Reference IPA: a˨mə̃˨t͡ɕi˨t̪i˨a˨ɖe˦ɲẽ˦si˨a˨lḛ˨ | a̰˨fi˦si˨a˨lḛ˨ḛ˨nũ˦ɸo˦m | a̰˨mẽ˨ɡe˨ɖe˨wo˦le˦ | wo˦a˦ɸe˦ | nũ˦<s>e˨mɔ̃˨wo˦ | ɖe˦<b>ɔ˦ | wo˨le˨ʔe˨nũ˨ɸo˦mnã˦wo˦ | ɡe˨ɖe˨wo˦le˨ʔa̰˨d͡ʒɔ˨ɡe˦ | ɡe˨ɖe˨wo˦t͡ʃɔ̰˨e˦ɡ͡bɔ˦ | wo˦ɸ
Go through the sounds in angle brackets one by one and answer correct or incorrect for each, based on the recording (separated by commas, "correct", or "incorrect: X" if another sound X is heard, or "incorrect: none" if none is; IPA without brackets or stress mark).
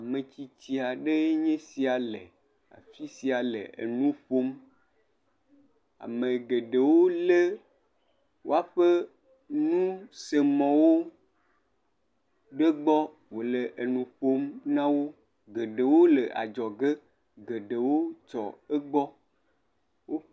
correct, incorrect: ɡ͡b